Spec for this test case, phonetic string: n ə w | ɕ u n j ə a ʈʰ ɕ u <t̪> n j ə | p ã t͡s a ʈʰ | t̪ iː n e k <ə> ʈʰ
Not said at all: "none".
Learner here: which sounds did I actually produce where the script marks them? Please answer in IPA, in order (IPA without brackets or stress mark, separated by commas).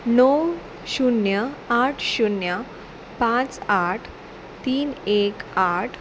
none, a